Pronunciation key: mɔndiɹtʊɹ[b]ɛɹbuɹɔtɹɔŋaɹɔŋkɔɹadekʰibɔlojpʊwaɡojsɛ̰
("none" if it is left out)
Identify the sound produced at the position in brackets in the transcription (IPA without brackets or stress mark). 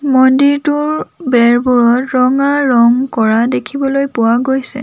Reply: b